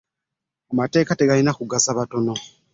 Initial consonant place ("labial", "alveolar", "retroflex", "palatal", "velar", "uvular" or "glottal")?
labial